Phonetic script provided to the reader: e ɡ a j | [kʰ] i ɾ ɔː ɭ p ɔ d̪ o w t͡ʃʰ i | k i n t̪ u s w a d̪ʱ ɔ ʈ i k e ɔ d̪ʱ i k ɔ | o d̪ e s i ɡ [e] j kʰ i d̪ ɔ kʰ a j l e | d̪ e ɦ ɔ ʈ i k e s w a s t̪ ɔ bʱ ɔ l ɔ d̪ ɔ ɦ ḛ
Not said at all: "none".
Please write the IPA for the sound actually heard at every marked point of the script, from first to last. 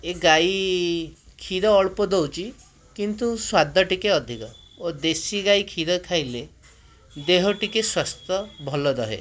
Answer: kʰ, a

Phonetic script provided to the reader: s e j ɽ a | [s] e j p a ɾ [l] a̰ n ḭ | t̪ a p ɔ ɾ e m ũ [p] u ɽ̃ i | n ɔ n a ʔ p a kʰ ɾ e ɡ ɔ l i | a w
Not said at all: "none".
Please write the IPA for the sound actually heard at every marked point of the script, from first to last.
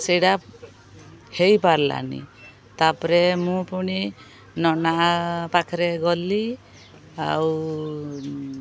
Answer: h, l, p

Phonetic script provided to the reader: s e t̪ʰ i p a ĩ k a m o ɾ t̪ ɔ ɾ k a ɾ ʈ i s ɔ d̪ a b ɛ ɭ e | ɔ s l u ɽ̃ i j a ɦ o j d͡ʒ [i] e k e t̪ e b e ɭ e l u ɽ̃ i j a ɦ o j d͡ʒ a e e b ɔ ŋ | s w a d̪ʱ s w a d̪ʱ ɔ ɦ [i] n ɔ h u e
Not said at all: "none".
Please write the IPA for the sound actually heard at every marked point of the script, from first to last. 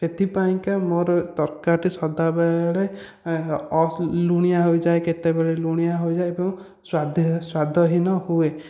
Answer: a, i

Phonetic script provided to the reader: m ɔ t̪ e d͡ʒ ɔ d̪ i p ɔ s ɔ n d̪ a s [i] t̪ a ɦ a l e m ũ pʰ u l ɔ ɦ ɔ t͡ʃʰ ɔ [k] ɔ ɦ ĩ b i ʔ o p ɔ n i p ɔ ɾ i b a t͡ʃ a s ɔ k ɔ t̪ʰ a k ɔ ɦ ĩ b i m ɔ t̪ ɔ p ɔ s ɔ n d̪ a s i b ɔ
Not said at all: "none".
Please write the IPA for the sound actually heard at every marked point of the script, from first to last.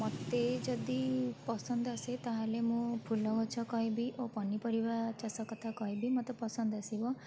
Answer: e, k

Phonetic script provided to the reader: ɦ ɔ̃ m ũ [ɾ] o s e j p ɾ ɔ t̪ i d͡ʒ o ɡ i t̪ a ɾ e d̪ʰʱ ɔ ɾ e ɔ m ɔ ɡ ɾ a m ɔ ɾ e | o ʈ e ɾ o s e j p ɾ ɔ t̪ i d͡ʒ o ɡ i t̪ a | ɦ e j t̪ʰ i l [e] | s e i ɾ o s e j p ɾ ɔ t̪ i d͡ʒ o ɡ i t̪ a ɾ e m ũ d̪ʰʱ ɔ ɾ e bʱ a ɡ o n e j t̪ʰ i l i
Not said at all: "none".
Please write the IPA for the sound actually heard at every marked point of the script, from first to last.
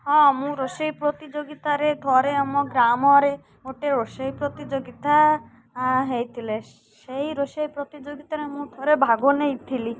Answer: ɾ, e

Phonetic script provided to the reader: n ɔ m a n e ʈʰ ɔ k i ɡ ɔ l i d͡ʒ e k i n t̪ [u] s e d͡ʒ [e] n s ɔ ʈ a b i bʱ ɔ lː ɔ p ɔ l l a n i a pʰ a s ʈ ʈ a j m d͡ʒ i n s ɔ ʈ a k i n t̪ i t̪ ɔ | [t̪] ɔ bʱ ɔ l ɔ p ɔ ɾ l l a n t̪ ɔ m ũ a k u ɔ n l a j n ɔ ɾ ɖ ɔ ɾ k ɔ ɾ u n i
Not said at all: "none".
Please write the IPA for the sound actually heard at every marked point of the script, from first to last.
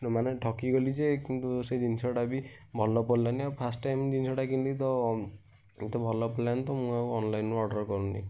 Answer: u, i, t̪

